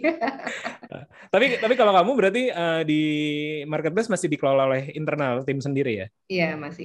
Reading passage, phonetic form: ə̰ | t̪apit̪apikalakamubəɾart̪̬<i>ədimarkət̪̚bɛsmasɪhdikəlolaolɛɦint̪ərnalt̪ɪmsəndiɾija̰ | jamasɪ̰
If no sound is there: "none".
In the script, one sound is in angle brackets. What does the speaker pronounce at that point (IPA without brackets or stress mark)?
i